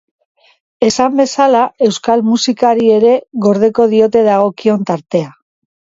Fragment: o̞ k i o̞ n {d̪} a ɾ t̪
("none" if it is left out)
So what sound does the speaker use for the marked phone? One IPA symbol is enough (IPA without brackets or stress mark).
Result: t̪